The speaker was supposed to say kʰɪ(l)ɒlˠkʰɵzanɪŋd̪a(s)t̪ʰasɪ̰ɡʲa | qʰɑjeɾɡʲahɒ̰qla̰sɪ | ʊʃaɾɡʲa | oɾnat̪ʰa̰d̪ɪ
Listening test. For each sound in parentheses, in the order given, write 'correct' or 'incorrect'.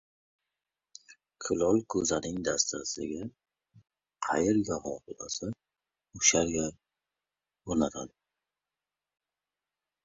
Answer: correct, correct

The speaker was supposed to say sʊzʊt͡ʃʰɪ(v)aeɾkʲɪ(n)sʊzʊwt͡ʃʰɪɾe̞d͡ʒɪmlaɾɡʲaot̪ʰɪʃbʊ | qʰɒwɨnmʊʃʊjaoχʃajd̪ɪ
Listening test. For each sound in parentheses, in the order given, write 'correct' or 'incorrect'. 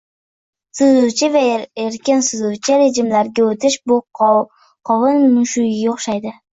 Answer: correct, correct

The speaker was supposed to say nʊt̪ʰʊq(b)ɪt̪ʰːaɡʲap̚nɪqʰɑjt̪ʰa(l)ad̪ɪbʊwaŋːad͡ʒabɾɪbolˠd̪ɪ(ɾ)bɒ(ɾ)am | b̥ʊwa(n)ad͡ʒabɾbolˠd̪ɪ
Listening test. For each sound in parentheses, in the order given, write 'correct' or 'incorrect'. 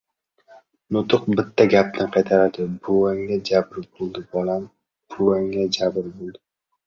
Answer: correct, incorrect, incorrect, incorrect, incorrect

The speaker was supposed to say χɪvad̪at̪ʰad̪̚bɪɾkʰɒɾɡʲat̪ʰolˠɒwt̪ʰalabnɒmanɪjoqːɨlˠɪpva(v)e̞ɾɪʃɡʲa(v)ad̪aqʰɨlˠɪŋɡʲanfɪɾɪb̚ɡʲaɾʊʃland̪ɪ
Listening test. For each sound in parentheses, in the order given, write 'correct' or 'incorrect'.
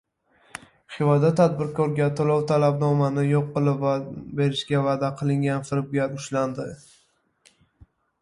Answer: incorrect, correct

